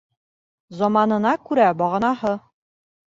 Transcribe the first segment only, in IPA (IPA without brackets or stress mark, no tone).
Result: z